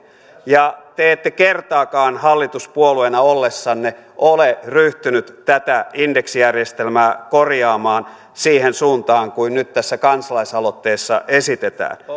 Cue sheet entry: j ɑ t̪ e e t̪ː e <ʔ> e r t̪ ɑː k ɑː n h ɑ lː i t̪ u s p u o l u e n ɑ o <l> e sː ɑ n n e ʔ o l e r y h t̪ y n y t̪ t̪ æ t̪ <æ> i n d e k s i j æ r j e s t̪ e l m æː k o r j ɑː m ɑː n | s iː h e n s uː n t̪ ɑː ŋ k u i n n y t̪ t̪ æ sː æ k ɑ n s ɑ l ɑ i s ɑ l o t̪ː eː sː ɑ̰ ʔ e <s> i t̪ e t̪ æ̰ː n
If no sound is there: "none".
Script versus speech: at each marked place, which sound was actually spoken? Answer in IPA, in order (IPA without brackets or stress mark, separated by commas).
k, lː, æ, s